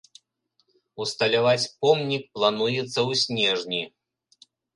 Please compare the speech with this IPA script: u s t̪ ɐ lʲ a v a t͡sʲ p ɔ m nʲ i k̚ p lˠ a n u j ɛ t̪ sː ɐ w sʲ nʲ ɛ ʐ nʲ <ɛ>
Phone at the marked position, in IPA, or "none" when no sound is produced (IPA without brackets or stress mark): i